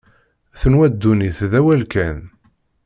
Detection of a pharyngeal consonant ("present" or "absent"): absent